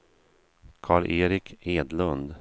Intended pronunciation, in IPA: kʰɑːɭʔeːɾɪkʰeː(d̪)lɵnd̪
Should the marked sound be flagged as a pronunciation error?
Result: no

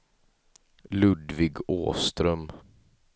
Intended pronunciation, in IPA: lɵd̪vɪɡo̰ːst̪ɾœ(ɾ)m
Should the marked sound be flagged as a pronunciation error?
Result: yes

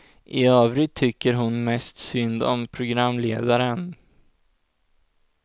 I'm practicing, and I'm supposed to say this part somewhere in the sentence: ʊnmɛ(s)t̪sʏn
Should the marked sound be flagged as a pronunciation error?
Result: no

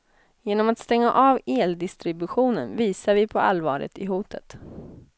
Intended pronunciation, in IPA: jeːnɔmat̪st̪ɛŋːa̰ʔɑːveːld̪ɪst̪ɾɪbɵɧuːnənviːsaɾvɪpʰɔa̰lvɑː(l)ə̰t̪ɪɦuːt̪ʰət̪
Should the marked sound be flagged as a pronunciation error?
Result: yes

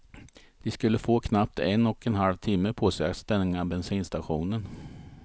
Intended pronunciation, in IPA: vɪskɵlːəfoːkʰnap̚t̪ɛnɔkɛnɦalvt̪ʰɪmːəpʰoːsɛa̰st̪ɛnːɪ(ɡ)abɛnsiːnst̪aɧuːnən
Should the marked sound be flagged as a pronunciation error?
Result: yes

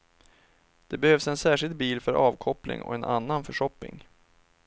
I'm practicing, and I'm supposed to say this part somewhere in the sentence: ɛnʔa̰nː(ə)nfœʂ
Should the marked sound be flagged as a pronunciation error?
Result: yes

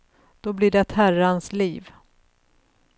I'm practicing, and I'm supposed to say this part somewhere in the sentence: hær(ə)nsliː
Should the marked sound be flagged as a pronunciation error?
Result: yes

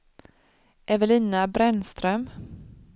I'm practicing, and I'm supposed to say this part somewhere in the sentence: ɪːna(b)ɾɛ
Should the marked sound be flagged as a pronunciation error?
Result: no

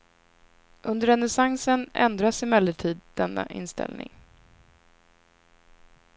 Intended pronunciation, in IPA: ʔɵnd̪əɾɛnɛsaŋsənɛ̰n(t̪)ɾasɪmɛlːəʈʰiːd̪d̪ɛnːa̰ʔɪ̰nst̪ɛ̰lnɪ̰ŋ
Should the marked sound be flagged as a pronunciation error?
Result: yes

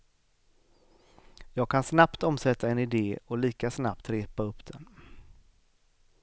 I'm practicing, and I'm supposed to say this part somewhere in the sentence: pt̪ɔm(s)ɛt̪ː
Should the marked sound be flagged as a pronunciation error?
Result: no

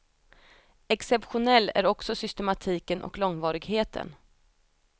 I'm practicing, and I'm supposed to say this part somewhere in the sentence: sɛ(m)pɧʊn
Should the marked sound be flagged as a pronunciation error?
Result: yes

